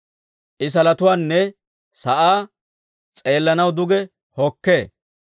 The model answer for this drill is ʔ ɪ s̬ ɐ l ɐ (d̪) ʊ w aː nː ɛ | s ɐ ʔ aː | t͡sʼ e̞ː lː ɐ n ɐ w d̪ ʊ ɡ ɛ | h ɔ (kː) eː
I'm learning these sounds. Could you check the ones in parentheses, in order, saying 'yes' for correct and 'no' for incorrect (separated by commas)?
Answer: no, yes